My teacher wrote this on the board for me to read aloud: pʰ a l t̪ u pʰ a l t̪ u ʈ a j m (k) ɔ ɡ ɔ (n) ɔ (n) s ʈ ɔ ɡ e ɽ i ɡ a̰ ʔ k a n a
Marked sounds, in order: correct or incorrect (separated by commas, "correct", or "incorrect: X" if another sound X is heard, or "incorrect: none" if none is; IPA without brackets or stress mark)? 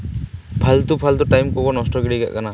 correct, correct, incorrect: none